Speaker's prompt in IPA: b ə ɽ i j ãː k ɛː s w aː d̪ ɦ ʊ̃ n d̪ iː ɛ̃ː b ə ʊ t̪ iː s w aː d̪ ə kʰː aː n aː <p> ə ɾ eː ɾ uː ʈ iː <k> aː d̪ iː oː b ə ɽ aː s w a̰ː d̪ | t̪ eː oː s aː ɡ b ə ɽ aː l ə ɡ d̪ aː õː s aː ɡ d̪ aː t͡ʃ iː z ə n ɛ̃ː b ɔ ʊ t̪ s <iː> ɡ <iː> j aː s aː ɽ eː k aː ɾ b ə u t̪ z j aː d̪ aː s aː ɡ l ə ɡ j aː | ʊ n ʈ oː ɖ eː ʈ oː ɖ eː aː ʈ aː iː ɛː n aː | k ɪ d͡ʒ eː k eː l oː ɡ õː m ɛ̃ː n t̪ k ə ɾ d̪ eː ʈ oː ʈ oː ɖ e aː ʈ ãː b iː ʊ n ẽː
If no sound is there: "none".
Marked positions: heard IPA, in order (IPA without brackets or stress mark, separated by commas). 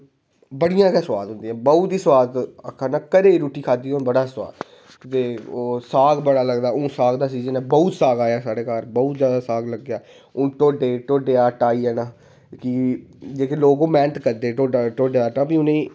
k, kʰ, aː, aː